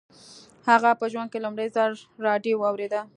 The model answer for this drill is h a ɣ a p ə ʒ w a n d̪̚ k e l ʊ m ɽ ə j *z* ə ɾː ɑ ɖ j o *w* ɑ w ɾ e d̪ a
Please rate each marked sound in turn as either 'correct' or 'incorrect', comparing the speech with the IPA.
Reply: correct, correct

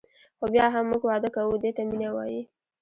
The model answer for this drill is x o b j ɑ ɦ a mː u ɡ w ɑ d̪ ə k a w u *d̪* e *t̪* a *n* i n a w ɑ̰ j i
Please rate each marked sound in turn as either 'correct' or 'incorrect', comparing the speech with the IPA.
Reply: correct, correct, incorrect

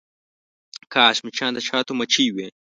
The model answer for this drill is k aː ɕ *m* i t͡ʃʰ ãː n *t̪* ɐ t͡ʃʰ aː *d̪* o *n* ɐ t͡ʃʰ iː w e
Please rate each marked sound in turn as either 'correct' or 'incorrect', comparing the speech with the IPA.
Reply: correct, incorrect, incorrect, incorrect

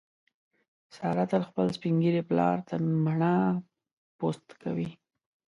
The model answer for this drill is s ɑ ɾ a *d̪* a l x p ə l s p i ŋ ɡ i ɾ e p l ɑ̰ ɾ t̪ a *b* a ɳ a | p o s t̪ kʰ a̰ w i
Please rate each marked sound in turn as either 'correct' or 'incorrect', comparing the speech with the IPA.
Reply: incorrect, incorrect

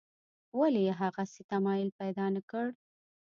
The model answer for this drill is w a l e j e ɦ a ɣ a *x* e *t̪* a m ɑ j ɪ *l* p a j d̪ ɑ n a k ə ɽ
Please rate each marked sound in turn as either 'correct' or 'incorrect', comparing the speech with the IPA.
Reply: incorrect, correct, correct

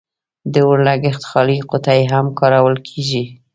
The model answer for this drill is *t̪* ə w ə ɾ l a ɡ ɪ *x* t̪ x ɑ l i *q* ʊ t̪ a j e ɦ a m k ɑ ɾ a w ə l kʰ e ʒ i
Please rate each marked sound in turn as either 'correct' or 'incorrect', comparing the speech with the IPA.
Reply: incorrect, correct, correct

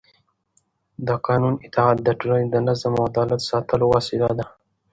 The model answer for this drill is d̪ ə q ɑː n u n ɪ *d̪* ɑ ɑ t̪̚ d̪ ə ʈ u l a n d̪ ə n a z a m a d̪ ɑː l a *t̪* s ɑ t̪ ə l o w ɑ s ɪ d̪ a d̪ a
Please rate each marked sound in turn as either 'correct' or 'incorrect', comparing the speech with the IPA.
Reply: incorrect, correct

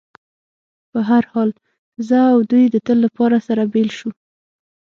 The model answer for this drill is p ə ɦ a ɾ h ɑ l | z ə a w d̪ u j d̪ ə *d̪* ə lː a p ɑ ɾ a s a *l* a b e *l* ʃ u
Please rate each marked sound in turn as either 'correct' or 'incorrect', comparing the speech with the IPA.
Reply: incorrect, incorrect, correct

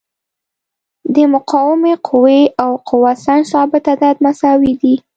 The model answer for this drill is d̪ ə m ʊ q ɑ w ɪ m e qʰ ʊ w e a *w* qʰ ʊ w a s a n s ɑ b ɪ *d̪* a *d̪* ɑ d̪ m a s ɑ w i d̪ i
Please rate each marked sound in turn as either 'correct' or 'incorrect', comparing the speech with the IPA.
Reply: correct, incorrect, correct

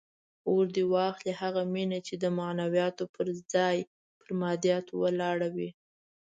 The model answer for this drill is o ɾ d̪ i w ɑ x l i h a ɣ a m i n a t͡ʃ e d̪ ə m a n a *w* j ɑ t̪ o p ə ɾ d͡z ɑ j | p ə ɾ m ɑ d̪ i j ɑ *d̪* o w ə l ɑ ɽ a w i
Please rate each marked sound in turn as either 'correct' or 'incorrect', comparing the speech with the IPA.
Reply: correct, incorrect

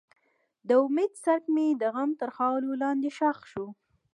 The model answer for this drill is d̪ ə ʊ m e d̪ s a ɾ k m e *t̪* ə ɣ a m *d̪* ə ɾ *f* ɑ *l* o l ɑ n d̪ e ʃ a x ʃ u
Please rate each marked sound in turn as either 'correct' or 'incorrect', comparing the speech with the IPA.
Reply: incorrect, incorrect, incorrect, correct

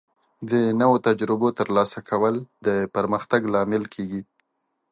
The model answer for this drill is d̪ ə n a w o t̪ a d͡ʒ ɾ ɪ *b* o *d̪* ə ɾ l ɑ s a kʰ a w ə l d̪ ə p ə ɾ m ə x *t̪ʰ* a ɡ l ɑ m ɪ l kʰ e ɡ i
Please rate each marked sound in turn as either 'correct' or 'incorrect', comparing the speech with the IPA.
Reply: correct, incorrect, incorrect

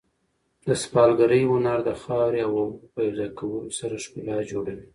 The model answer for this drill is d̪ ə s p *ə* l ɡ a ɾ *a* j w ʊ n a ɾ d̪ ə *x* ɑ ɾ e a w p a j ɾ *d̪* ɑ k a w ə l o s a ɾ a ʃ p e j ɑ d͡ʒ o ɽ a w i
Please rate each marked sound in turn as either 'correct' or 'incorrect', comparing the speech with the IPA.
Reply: incorrect, incorrect, correct, correct

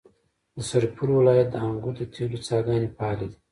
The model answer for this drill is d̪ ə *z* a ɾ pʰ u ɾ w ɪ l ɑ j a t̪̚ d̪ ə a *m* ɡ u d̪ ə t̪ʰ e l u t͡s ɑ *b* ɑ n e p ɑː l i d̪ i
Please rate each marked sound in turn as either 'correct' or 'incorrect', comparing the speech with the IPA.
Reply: incorrect, incorrect, incorrect

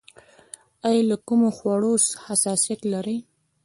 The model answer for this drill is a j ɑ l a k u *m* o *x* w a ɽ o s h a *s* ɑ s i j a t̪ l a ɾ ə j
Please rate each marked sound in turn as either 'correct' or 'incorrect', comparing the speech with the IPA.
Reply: correct, correct, correct

